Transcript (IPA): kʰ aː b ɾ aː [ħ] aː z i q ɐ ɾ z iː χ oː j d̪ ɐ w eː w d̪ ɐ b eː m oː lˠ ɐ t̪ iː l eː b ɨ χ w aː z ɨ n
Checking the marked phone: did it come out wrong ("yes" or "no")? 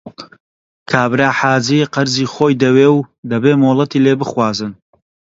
no